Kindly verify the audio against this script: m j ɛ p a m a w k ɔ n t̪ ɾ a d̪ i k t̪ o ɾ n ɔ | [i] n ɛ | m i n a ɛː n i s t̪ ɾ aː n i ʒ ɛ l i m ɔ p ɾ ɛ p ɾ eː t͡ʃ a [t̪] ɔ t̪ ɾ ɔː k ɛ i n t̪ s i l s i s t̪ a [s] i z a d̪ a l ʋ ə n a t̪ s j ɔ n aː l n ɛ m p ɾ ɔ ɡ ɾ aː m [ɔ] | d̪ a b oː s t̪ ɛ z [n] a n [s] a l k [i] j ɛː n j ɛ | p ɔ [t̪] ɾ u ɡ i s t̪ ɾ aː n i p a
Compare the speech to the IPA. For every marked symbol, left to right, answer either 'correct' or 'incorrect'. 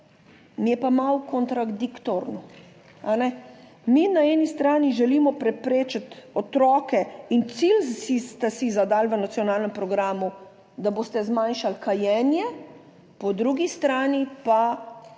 incorrect, correct, correct, incorrect, incorrect, incorrect, incorrect, incorrect

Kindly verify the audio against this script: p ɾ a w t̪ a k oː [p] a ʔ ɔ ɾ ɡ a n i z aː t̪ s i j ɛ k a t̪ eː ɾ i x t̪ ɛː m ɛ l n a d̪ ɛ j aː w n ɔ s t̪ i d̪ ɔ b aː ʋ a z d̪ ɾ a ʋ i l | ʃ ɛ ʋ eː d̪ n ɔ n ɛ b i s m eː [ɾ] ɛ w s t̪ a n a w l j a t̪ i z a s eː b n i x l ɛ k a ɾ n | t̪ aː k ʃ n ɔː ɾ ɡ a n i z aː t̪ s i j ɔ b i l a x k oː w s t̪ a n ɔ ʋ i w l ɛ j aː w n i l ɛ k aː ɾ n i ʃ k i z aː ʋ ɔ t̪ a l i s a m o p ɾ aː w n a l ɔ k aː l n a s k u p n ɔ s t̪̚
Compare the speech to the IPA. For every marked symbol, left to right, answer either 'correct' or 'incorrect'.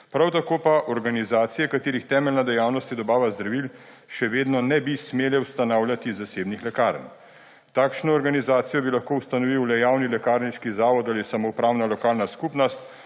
correct, incorrect

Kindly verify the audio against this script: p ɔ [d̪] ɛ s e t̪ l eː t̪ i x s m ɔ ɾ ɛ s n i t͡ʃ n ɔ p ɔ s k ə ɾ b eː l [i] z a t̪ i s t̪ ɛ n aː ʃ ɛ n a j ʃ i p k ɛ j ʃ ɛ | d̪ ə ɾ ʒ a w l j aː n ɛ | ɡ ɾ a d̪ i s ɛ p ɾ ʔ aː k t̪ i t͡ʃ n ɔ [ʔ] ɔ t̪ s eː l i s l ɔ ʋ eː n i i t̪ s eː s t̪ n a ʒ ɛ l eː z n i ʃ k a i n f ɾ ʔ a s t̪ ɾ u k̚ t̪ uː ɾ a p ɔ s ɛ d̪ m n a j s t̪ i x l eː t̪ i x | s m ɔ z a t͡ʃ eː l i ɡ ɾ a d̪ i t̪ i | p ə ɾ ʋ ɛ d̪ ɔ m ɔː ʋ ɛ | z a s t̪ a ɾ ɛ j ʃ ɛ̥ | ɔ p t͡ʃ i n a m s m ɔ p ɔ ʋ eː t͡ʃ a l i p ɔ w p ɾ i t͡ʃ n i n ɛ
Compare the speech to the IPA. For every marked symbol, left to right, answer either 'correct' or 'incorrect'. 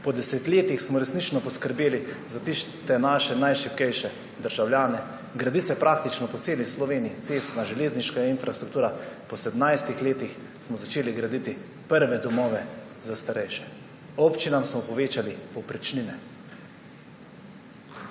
correct, correct, incorrect

